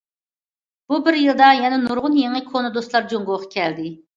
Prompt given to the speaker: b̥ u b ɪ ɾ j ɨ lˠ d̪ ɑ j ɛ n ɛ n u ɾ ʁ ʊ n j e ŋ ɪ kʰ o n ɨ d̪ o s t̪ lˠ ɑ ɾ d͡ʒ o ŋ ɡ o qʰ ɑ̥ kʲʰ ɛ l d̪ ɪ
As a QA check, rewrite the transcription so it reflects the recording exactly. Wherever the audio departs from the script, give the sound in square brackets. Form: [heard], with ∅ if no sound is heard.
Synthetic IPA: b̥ u b ɪ ɾ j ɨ lˠ d̪ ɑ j ɛ n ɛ n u ɾ ʁ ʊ n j e ŋ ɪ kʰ o n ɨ d̪ o s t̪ lˠ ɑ ɾ d͡ʒ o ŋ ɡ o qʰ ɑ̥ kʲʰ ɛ l d̪ ɪ